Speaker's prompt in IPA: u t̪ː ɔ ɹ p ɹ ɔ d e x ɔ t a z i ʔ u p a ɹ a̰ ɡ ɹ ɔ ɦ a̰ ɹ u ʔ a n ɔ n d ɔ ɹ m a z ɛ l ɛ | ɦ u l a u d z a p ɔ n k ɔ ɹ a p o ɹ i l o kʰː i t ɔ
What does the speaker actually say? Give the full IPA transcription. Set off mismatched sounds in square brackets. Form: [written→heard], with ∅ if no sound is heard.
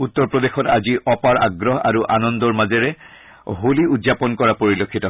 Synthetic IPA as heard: u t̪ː ɔ ɹ p ɹ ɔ d e x ɔ t a z i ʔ [u→ɔ] p a ɹ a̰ ɡ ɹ ɔ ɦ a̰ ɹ u ʔ a n ɔ n d ɔ ɹ m a z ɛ [l→ɹ] ɛ | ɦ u l [a→i] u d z a p ɔ n k ɔ ɹ a p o ɹ i l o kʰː i t ɔ